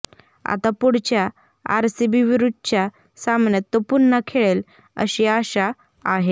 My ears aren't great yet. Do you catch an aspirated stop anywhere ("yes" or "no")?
yes